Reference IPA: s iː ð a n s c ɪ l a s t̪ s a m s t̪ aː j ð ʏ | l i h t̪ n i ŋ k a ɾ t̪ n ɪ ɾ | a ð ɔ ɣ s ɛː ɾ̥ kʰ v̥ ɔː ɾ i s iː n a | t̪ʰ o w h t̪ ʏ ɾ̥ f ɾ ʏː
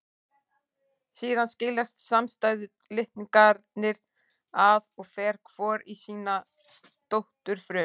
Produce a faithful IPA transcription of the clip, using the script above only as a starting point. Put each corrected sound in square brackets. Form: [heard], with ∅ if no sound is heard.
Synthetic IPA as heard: s iː ð a n s c ɪ l a s t̪ s a m s t̪ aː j ð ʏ | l [ɪ] h t̪ n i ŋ k a ɾ t̪ n ɪ ɾ | a ð ɔ ɣ [f] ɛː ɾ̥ kʰ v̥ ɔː ɾ i s iː n a | [t̪] o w h t̪ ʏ ɾ̥ f ɾ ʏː